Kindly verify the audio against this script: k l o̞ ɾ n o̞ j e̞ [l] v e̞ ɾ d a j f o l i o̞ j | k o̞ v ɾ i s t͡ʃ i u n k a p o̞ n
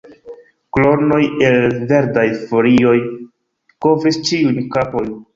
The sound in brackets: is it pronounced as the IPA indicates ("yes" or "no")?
yes